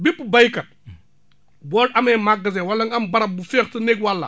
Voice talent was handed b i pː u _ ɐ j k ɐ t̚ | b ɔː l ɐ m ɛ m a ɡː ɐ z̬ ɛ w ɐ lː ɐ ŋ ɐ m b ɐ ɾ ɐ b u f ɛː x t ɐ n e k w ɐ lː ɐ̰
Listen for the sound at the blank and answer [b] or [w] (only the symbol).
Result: b